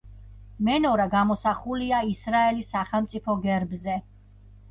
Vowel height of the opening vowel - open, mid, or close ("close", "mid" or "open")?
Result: mid